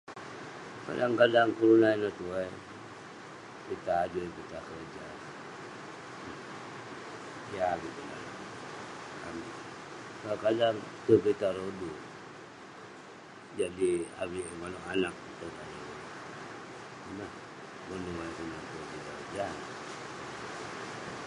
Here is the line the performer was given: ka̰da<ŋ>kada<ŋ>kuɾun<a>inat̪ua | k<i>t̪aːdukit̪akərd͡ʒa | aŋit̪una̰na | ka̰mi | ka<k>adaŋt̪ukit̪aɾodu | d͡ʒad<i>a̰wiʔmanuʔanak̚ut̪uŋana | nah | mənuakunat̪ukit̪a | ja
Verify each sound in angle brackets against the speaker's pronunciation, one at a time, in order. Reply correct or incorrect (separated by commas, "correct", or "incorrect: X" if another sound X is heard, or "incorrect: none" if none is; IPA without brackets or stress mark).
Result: correct, correct, correct, correct, correct, correct